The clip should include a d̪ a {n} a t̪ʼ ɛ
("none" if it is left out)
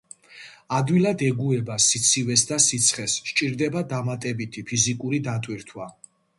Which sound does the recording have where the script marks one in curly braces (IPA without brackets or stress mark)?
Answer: m